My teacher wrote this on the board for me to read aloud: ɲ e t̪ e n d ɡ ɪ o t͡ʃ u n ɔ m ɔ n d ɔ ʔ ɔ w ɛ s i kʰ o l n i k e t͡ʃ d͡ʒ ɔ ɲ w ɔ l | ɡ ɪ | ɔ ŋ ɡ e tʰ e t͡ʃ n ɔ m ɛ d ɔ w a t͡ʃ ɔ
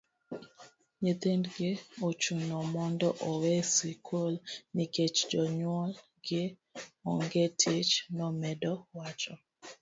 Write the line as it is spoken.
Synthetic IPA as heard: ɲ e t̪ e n d ɡ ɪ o t͡ʃ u n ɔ m ɔ n d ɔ ʔ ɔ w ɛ s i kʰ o l n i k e t͡ʃ d͡ʒ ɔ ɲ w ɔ l | ɡ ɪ | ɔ ŋ ɡ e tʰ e t͡ʃ n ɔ m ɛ d ɔ w a t͡ʃ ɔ